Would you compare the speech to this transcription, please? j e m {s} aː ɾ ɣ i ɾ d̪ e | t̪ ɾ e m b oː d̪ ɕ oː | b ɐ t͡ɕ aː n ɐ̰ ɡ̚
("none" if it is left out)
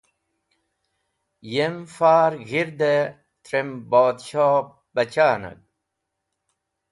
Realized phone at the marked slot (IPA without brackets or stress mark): f